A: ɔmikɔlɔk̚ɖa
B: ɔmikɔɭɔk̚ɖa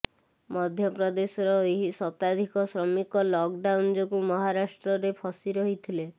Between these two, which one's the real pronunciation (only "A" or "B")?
A